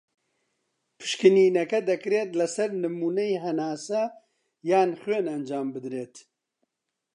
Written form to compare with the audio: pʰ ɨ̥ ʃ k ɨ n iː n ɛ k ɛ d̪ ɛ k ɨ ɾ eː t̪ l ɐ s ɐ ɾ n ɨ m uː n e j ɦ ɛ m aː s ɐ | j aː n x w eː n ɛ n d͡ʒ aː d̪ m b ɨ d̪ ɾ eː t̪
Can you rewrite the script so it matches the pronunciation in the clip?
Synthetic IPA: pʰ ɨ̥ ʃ k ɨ n iː n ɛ k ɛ d̪ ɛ k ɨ ɾ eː t̪ l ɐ s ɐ ɾ n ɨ m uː n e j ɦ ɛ n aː s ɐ | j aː n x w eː n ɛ n d͡ʒ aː m b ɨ d̪ ɾ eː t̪